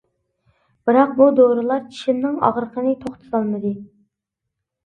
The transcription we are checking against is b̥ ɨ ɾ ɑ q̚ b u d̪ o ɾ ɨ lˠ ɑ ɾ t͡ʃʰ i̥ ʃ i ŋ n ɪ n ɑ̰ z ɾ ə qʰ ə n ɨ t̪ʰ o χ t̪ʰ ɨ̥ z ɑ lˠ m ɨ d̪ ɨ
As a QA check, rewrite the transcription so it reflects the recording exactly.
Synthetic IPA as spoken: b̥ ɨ ɾ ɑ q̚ b u d̪ o ɾ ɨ lˠ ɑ ɾ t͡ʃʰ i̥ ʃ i m n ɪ ŋ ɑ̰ ʁ ɾ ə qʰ ə n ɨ t̪ʰ o χ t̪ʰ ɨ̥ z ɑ lˠ m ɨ d̪ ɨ